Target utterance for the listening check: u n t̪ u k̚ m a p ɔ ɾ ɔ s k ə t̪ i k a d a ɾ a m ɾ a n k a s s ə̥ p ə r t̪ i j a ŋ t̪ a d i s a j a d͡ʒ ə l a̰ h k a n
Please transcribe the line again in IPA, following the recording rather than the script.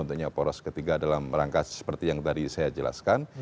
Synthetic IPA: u n t̪ u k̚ ɲ a p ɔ ɾ ɔ s k ə t̪ i ɡ a d a l a m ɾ a ŋ k a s s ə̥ p ə r t̪ i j a ŋ t̪ a d i s a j a d͡ʒ ə l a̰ s k a n